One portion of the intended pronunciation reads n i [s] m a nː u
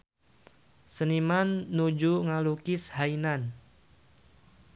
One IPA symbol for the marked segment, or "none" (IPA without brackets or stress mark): none